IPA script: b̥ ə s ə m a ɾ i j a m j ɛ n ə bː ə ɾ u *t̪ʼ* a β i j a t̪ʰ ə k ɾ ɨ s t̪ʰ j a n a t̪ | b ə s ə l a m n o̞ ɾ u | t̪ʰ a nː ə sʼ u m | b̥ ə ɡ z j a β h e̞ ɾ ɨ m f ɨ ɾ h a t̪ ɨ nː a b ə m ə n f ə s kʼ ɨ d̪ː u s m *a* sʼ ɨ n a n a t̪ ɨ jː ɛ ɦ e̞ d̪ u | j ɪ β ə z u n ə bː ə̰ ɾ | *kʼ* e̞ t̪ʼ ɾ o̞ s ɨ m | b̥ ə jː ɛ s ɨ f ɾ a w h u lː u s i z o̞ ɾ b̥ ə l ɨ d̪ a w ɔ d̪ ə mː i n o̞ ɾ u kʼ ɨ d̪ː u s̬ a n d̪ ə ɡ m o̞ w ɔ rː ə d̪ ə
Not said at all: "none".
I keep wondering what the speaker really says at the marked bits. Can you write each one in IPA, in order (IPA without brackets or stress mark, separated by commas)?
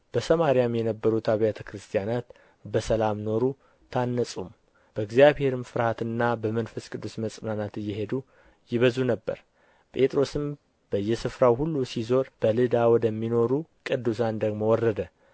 t̪, ə, pʼ